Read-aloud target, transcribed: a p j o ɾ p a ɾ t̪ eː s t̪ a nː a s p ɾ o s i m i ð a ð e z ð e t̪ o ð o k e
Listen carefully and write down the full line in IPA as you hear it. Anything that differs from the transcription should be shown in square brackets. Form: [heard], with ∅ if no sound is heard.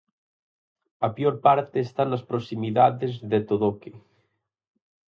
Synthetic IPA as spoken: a p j o ɾ p a ɾ t̪ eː s t̪ a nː a s p ɾ o s i m i ð a ð e z ð e t̪ o ð o k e